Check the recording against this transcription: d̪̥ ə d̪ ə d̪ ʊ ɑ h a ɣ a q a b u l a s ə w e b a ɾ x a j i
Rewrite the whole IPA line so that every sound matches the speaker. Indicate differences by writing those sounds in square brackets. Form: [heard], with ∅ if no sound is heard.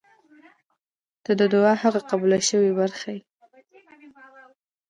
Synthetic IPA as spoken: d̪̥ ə d̪ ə d̪ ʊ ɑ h a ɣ a q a b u l a [ʃ] ə w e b a ɾ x a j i

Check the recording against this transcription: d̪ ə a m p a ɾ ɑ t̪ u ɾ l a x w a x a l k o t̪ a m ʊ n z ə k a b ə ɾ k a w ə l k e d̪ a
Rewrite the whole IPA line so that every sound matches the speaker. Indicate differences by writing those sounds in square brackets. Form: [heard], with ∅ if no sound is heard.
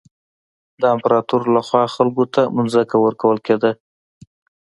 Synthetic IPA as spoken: d̪ ə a m p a ɾ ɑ t̪ u ɾ l a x w [ɑ] x a l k o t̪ a m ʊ n z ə k a [w] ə ɾ k a w ə l k e d̪ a

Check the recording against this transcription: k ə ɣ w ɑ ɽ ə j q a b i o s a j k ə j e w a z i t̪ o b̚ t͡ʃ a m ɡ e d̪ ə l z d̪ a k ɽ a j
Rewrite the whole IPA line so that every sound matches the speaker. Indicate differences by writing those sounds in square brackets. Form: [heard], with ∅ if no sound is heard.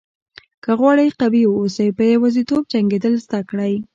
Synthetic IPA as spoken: k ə ɣ w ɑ ɽ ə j q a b i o s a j [p] ə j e w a z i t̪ o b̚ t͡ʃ a [ŋ] ɡ e d̪ ə l z d̪ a k ɽ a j

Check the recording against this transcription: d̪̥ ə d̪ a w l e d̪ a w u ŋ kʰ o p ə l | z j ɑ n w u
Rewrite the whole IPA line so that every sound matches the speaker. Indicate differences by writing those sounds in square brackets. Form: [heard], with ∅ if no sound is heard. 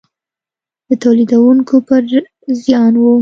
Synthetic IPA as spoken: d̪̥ ə [t̪] a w l [i] d̪ a w u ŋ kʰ o p ə [ɾ] | z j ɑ n w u

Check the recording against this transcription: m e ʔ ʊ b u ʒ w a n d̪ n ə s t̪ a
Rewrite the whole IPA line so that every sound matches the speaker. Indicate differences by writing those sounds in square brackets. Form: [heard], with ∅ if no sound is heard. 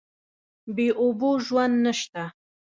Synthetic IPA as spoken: [b] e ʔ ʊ b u ʒ w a n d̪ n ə [ʃ] t̪ a

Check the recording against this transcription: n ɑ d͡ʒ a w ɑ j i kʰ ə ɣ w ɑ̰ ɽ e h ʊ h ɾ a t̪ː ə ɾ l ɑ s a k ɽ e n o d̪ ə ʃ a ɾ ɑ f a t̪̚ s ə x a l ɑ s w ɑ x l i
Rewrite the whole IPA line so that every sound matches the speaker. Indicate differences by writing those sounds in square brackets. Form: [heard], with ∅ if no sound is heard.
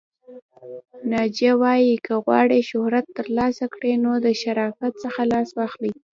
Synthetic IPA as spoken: n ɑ d͡ʒ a w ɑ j i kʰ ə ɣ w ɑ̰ ɽ e [ʃ] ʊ h ɾ a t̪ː ə ɾ l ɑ s a k ɽ e n o d̪ ə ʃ a ɾ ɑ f a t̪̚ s ə x a l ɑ s w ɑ x l i

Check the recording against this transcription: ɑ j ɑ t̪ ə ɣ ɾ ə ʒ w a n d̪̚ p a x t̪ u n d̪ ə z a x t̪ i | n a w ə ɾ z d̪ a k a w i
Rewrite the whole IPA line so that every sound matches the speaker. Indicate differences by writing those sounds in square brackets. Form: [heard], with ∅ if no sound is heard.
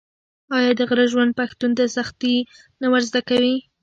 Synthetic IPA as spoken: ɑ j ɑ [d̪] ə ɣ ɾ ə ʒ w a n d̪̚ p a x t̪ u n d̪ ə [s] a x t̪ i | n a w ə ɾ z d̪ a k a w i

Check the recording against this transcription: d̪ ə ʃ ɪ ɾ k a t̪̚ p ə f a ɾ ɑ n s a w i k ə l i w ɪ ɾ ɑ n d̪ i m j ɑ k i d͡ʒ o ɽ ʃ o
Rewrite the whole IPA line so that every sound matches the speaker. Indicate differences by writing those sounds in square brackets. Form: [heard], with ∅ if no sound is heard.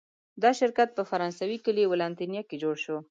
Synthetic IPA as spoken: d̪ [ɑ] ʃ ɪ ɾ k a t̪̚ p ə f a ɾ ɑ n s a w i k ə l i w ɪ [l] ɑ n [t̪] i [n] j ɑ k [e] d͡ʒ o ɽ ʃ o

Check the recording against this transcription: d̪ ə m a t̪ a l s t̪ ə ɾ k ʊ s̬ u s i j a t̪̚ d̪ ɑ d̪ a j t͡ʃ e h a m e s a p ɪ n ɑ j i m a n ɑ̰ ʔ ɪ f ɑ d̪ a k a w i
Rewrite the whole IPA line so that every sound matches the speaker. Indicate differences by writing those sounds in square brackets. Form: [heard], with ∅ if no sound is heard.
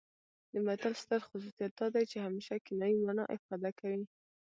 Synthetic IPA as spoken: d̪ ə m a t̪ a l s t̪ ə ɾ [x] ʊ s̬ u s i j a t̪̚ d̪ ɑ d̪ a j t͡ʃ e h a m e [ʃ] a [k] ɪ n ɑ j i m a n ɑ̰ ʔ ɪ f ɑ d̪ a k a w i

